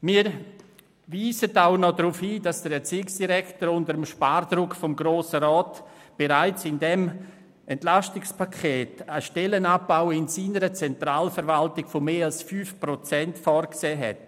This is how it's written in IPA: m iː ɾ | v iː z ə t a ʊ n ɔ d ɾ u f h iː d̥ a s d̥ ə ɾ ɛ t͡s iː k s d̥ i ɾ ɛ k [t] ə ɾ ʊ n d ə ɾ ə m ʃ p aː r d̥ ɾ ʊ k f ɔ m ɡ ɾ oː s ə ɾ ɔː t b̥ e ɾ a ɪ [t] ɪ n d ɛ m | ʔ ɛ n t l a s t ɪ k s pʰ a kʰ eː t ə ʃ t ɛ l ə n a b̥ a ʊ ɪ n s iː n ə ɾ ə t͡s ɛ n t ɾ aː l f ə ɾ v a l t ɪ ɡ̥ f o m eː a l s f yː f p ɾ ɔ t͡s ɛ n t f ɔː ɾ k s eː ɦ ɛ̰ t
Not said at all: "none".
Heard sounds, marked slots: t, t͡s

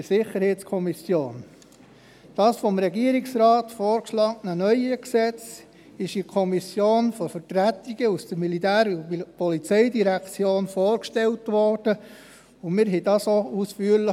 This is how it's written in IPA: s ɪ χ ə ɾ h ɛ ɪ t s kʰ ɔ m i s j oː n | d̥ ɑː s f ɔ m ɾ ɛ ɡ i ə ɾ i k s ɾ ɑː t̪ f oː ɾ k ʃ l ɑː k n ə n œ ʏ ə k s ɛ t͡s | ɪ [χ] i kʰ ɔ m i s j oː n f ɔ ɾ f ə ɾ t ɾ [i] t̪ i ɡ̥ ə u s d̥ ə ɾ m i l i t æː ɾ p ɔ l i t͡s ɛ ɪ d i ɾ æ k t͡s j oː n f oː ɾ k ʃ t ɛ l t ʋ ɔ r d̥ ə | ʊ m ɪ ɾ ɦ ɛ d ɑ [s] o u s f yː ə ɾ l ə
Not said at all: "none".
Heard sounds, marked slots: ʃ, æ, s

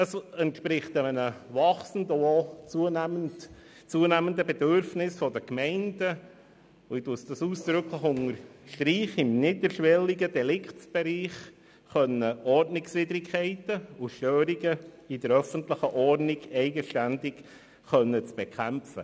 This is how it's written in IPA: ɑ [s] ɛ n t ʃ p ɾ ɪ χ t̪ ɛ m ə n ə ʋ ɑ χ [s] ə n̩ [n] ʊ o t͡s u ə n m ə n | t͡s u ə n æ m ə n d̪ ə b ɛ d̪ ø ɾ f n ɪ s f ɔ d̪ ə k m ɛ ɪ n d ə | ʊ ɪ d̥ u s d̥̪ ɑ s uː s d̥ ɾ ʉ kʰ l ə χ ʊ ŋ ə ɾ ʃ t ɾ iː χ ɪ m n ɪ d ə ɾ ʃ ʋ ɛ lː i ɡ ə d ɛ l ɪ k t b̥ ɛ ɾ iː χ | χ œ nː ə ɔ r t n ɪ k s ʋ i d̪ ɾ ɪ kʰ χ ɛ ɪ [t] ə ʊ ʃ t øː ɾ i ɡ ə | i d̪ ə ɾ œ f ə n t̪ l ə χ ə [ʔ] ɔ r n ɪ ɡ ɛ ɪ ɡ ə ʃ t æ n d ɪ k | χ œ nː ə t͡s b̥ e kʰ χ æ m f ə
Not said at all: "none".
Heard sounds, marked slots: s, s, d, t, ʔ

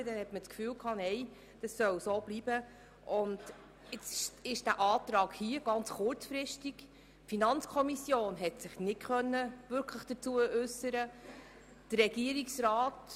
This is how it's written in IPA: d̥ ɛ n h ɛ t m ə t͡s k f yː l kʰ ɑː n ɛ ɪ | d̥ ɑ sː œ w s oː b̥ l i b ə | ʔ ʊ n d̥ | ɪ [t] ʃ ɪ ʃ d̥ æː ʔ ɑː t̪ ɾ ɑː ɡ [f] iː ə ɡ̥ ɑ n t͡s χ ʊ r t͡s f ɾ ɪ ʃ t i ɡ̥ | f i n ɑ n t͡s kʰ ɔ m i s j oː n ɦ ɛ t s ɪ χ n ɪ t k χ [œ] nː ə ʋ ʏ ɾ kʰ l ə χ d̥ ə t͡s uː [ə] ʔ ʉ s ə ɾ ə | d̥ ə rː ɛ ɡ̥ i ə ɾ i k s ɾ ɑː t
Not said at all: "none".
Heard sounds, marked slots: t͡s, h, œ, ə

